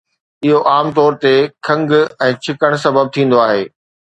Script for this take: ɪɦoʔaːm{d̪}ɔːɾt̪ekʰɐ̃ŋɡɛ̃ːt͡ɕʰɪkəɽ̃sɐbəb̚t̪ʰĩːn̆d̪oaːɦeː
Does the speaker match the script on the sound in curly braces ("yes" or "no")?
no